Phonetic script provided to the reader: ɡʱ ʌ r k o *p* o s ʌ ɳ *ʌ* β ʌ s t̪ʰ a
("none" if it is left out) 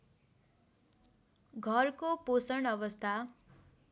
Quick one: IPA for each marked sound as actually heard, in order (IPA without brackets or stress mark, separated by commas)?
p, ʌ